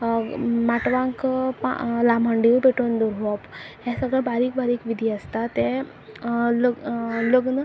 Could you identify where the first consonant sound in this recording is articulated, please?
labial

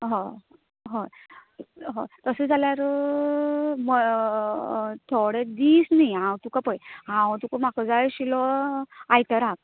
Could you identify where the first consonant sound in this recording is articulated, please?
glottal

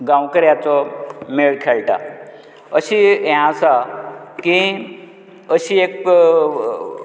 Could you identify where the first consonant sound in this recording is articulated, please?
velar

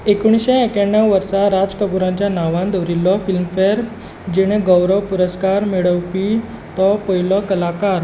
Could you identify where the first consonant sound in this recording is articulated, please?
velar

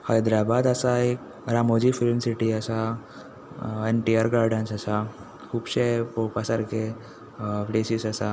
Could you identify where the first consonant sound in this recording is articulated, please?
glottal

